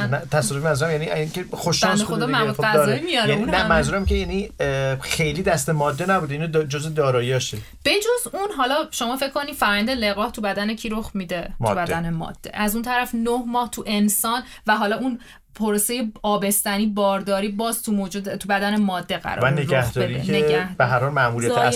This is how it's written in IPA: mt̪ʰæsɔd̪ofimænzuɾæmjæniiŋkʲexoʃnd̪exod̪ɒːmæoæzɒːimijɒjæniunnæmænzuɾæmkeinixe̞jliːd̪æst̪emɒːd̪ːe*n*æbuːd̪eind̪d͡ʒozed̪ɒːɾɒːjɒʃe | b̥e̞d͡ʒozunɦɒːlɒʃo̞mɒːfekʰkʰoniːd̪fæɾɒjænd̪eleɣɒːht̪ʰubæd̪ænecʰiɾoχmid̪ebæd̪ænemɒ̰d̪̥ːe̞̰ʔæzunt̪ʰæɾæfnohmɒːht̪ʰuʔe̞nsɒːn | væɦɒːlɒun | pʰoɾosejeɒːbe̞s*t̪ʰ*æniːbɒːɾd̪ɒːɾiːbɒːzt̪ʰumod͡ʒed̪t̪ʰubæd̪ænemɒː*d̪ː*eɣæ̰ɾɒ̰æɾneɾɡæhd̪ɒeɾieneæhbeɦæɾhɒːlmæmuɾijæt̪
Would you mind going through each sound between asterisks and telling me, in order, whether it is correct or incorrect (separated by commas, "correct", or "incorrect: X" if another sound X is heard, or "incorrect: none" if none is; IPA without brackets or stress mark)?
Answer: correct, incorrect: t̪, correct